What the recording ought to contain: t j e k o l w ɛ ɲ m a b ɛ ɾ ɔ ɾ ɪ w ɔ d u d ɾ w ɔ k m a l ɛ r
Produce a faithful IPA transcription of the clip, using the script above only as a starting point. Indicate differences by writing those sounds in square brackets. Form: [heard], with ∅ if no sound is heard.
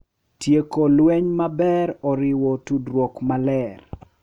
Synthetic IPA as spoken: t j e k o l w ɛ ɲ m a b ɛ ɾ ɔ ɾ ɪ w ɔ [t] u d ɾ w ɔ k m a l ɛ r